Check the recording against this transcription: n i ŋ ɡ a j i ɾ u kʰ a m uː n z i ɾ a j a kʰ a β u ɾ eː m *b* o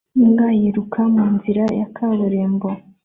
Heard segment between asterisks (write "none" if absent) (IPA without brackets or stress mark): b